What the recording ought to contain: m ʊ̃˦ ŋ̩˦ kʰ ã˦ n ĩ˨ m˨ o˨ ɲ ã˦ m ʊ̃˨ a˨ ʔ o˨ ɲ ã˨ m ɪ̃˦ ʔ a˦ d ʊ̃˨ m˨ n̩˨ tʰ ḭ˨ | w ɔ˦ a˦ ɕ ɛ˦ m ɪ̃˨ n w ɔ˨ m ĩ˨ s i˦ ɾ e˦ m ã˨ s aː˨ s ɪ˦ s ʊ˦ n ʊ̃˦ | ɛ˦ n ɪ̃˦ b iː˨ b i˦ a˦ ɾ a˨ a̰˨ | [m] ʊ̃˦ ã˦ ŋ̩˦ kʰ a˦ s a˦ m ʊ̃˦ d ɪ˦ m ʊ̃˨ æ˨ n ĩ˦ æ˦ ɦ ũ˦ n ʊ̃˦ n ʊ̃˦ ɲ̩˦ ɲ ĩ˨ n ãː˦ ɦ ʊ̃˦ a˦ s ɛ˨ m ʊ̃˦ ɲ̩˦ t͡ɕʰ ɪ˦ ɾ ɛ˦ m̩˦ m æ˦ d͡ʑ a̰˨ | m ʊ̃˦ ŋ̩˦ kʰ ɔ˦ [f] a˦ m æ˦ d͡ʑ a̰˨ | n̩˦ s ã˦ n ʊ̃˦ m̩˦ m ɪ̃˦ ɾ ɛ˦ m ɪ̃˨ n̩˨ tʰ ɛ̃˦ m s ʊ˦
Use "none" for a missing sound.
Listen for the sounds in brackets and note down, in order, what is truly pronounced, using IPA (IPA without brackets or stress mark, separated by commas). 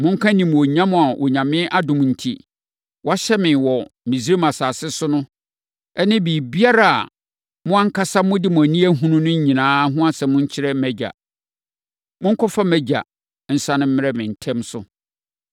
m, f